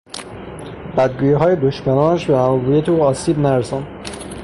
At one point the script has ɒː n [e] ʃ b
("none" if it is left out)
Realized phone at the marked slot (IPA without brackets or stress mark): æ